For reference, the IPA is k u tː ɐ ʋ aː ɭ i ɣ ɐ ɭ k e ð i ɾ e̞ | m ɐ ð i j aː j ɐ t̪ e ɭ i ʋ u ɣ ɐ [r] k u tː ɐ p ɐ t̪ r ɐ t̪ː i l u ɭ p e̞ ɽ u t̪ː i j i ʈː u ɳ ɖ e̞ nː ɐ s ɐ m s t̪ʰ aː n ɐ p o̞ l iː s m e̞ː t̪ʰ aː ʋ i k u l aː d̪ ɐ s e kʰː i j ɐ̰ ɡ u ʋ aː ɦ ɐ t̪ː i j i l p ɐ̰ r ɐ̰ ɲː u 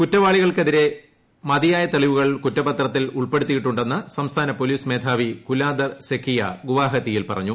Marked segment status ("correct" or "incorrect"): incorrect